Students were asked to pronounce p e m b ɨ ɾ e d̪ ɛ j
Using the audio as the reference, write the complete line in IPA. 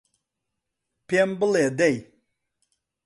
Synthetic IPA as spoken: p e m b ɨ l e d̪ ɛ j